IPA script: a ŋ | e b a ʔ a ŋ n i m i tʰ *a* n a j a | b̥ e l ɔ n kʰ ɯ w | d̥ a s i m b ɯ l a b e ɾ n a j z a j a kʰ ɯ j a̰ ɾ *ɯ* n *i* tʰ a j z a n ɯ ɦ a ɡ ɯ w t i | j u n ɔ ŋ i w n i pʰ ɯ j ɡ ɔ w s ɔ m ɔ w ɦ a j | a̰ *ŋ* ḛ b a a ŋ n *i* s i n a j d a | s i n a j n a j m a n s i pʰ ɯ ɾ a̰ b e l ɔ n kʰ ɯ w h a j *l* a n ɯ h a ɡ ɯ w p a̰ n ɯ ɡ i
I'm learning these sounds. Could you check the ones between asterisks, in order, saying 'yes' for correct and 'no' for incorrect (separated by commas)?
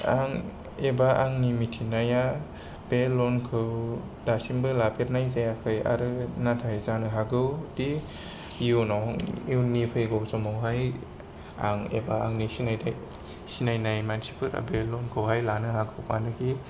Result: no, yes, no, yes, yes, yes